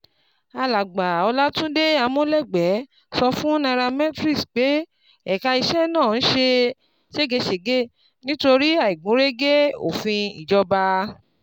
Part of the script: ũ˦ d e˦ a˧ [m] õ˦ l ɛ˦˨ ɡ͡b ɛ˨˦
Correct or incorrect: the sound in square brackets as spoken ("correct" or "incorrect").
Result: correct